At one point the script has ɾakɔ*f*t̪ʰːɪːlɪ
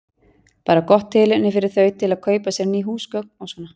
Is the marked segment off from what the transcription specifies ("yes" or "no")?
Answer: yes